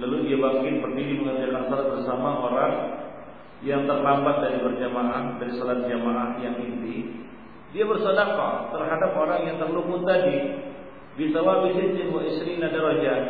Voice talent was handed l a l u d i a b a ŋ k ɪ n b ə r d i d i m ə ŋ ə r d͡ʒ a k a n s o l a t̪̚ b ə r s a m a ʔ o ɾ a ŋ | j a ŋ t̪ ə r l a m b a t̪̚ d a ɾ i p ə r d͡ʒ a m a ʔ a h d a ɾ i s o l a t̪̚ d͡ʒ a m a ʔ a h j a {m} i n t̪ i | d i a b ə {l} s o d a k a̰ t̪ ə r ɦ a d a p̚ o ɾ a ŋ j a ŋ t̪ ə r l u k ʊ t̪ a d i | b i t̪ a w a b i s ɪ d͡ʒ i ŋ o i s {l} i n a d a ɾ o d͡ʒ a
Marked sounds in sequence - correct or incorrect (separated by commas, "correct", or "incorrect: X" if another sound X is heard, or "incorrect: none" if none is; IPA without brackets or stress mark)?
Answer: incorrect: ŋ, incorrect: r, incorrect: ɾ